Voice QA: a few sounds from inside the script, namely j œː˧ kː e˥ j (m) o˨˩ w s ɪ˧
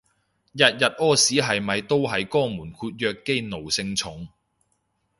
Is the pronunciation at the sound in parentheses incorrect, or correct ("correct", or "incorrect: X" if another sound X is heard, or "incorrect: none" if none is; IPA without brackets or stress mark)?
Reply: incorrect: n